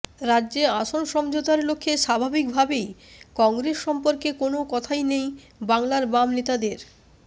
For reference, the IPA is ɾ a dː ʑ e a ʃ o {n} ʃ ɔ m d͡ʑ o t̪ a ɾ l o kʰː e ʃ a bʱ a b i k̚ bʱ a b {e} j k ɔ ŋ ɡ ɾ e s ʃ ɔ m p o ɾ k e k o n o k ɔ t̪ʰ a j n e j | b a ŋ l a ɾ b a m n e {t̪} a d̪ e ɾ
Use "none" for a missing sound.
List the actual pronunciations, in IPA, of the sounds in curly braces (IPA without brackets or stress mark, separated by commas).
n, e, t̪